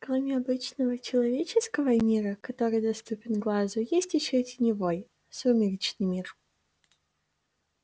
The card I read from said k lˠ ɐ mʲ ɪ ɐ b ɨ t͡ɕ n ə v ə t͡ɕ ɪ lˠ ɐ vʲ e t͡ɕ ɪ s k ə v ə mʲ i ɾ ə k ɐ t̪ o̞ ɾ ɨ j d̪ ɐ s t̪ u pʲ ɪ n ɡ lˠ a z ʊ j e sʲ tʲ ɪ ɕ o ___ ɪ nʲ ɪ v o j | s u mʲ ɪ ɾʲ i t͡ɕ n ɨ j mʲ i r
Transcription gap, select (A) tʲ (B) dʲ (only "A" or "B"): A